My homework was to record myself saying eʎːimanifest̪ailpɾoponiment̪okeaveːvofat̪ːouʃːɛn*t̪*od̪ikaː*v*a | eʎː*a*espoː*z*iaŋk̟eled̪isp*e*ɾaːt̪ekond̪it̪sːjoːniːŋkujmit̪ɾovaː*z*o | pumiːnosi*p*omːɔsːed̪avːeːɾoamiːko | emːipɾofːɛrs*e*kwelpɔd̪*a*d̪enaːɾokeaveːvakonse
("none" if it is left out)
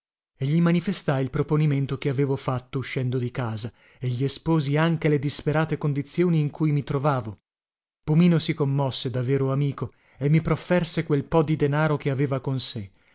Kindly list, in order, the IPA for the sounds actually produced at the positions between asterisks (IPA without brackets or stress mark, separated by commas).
d̪, z, i, z, e, v, k, e, i